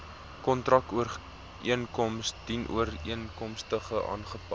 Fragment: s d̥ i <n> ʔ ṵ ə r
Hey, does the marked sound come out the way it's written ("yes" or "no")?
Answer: yes